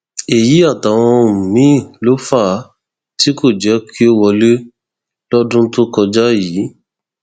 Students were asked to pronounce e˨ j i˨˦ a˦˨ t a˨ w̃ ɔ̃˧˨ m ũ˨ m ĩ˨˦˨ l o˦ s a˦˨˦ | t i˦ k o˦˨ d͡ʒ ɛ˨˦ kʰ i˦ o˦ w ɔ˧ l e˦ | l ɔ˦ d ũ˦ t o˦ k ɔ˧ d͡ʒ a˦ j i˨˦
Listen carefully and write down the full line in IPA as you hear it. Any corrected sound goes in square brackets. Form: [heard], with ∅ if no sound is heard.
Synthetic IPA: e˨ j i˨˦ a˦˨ t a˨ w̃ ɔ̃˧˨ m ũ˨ m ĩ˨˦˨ l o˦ [f] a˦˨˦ | t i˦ k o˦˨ d͡ʒ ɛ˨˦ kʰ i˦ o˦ w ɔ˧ l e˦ | l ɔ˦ d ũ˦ t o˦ k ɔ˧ d͡ʒ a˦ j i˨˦